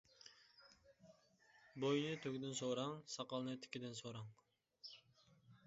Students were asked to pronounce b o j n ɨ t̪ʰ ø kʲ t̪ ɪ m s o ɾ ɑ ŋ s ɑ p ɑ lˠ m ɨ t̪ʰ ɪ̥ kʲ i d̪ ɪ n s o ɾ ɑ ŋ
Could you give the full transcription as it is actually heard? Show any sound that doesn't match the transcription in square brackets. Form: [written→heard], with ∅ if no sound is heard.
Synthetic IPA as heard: b o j n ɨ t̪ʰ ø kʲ [t̪→d̪] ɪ [m→n] s o ɾ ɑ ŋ s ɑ [p→q] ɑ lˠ [m→n] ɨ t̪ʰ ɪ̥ kʲ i d̪ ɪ n s o ɾ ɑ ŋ